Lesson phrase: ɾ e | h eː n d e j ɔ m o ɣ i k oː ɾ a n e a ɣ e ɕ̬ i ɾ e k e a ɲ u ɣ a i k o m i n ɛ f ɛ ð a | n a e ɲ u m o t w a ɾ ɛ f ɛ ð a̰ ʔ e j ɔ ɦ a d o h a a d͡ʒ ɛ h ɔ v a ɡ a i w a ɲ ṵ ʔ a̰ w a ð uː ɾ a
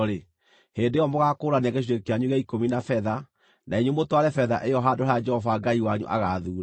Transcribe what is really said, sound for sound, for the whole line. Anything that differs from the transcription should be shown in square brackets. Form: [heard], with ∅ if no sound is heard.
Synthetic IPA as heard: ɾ e | h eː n d e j ɔ m o ɣ [a] k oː ɾ a n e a ɣ e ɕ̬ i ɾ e k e a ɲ u ɣ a i k o m i n [a] f ɛ ð a | n a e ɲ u m o t w a ɾ ɛ f ɛ ð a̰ ʔ e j ɔ ɦ a d o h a a d͡ʒ ɛ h ɔ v a ɡ a i w a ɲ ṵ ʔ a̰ [ɣ] a ð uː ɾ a